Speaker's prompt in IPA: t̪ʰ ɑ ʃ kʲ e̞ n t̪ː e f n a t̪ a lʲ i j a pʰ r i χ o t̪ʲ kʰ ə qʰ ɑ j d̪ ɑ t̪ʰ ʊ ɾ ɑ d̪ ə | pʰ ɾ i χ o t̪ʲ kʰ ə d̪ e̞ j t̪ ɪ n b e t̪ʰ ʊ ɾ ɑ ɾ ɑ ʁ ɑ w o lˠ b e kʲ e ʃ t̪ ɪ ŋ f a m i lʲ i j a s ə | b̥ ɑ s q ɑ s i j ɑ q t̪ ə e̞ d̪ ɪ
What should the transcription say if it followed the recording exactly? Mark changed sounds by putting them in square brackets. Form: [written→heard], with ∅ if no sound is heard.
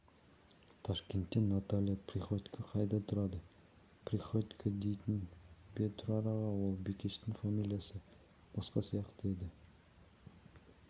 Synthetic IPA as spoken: t̪ʰ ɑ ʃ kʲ e̞ n t̪ː e [f→∅] n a t̪ a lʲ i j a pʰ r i χ o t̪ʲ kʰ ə qʰ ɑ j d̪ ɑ t̪ʰ ʊ ɾ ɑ d̪ ə | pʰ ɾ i χ o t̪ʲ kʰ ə d̪ e̞ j t̪ ɪ n b e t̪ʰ ʊ ɾ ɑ ɾ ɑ ʁ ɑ w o lˠ b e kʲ e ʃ t̪ ɪ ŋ f a m i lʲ i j a s ə | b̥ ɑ s q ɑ s i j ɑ q t̪ ə e̞ d̪ ɪ